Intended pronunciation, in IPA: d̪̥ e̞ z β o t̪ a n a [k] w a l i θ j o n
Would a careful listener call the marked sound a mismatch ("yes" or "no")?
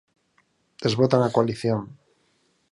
no